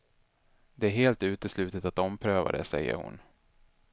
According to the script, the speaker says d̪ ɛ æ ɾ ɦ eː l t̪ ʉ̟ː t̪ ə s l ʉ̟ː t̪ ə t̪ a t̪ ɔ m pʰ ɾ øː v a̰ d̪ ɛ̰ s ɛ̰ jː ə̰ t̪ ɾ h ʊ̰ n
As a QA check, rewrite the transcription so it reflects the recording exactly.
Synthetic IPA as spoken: d̪ ɛ æ ɾ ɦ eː l t̪ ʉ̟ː t̪ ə s l ʉ̟ː t̪ ə t̪ a t̪ ɔ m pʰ ɾ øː v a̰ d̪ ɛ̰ s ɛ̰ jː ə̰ ɾ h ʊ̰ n